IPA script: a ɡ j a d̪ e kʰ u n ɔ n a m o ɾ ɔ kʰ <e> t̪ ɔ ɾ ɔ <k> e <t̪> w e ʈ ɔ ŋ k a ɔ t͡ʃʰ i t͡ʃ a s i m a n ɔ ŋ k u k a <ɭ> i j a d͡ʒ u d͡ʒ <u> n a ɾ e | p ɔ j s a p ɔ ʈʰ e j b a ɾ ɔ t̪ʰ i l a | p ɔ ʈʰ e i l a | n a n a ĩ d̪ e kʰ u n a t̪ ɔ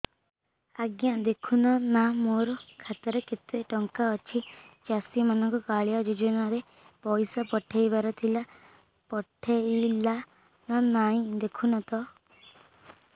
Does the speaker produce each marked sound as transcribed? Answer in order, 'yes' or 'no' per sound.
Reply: no, yes, yes, yes, no

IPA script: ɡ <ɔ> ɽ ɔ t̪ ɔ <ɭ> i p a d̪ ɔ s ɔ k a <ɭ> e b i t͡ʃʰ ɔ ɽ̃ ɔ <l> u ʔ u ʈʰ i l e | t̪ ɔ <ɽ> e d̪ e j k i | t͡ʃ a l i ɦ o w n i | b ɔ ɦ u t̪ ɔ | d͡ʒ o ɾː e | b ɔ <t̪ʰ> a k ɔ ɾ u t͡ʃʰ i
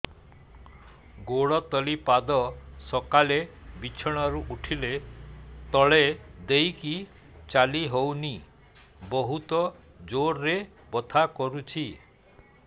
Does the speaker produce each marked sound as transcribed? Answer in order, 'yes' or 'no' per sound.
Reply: no, no, no, no, no, yes

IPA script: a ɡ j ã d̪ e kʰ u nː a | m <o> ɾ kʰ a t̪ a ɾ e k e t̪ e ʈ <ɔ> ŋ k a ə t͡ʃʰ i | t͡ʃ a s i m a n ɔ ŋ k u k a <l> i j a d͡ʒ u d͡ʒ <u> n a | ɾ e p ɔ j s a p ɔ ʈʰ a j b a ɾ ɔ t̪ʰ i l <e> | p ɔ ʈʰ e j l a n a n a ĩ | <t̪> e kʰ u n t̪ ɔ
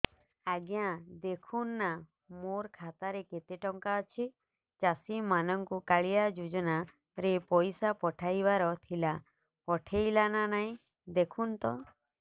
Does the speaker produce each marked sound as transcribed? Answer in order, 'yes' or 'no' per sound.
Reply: yes, yes, no, no, no, no

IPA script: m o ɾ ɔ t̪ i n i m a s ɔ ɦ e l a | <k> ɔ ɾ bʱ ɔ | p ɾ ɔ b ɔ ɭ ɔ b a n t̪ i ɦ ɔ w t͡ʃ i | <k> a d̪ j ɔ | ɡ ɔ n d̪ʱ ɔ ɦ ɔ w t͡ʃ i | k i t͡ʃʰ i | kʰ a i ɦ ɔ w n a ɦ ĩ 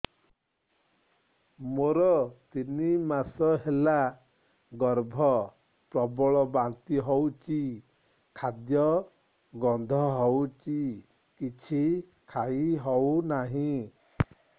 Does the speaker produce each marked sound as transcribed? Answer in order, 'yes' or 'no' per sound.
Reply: no, no

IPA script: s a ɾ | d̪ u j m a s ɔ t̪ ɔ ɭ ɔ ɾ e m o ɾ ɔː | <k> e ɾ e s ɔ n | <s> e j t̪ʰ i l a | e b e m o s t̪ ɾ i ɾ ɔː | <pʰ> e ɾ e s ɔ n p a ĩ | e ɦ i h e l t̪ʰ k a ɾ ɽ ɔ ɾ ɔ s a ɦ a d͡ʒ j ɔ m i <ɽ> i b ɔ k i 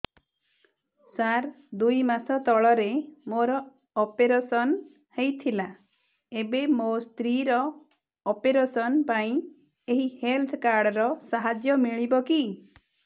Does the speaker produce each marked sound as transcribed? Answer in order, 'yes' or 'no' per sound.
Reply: no, no, no, no

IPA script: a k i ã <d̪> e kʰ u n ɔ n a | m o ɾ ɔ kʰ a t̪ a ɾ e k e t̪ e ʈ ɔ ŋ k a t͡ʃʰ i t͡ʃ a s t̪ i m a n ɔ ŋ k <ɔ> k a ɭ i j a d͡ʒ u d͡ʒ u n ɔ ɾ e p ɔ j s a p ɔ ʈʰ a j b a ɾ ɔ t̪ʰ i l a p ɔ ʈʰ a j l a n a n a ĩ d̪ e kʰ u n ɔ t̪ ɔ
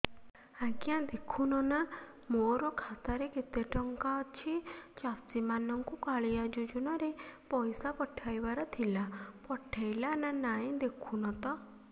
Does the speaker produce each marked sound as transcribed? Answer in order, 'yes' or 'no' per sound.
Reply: yes, no

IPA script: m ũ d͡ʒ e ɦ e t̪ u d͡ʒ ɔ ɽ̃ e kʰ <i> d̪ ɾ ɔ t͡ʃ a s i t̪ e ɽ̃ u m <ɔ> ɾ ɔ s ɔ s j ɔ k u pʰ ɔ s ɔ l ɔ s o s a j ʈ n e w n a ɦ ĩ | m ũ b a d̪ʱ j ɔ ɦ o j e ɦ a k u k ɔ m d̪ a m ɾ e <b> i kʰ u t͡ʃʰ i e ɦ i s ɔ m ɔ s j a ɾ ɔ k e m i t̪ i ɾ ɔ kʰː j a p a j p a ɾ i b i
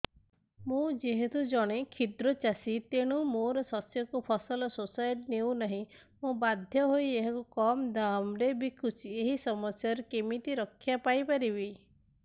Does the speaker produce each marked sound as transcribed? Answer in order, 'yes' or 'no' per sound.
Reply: yes, no, yes

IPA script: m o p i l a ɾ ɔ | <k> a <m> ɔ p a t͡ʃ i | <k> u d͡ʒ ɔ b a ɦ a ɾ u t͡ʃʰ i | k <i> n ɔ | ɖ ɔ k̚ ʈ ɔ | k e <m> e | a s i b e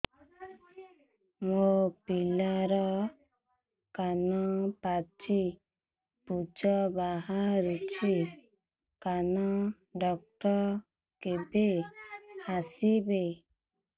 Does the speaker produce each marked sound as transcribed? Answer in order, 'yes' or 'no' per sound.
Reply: yes, no, no, no, no

